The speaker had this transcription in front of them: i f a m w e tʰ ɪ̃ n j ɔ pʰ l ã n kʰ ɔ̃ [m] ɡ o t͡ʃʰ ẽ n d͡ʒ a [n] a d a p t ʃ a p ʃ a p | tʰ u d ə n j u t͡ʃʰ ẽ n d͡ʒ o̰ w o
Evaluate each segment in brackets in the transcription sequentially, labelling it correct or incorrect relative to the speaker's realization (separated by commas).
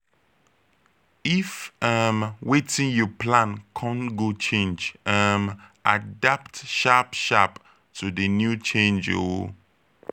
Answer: incorrect, incorrect